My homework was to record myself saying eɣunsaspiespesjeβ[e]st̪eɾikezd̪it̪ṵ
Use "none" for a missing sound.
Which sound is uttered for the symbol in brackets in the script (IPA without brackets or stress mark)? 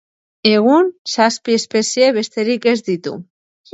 e